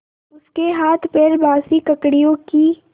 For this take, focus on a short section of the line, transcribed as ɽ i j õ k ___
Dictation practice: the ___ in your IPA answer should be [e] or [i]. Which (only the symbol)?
i